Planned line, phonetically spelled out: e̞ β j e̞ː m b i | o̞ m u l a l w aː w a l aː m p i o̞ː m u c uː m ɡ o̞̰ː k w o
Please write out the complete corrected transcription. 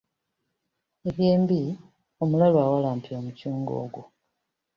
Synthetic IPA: e̞ β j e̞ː m b i | o̞ m u l a l w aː w a l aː m p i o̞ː m u c uː ŋ ɡ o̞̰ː ɡ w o